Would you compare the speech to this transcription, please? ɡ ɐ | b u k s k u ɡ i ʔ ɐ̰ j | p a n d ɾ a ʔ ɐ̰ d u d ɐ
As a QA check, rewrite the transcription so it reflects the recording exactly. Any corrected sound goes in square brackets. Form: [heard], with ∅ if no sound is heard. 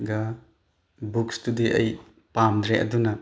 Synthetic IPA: ɡ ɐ | b u k s [t] u [d] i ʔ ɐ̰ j | p a [m] d ɾ [e] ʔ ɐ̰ d u [n] ɐ